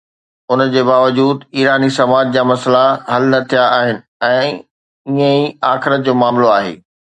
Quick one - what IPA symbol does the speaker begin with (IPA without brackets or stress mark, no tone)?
ʊ